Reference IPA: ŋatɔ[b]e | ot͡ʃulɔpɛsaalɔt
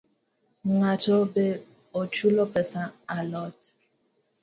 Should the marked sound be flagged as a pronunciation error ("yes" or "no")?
no